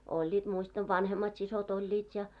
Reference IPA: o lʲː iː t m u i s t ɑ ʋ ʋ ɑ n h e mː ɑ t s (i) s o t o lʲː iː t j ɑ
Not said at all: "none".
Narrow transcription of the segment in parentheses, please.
i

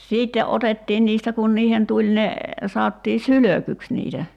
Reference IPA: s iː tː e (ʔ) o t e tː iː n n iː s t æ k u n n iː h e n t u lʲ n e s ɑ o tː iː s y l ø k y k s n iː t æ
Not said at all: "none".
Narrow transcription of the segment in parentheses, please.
ʔ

